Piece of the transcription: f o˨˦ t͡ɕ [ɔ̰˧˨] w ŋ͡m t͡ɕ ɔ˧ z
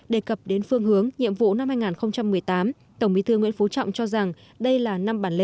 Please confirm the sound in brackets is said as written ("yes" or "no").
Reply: yes